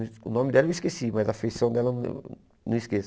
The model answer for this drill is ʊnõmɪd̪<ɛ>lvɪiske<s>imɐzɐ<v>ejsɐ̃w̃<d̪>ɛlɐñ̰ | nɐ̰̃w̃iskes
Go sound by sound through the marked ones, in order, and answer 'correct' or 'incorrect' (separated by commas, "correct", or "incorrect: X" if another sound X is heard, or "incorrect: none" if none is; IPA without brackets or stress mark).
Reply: correct, correct, incorrect: f, correct